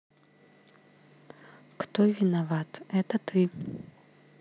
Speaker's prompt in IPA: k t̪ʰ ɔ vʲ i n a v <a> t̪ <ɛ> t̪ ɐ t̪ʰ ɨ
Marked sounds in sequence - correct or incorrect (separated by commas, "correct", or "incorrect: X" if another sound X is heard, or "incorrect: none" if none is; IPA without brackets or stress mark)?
correct, correct